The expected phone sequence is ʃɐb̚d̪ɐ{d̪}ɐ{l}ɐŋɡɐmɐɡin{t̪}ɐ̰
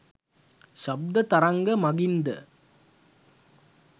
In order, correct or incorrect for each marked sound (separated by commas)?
incorrect, incorrect, incorrect